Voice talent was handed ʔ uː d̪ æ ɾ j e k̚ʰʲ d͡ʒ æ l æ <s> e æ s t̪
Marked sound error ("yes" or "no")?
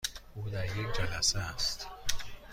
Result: no